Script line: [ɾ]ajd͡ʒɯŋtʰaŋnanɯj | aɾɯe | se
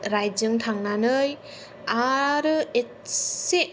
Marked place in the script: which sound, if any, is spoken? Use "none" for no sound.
ɾ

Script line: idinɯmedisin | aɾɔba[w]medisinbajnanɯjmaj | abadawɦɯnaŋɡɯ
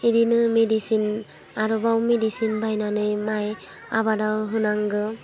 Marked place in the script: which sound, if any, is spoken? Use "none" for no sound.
w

